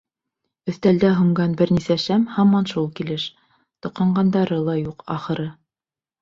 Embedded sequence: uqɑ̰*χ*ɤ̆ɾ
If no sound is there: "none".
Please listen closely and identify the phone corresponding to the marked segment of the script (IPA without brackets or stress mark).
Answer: χ